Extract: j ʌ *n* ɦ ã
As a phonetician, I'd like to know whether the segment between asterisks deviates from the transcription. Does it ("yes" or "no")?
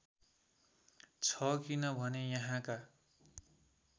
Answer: yes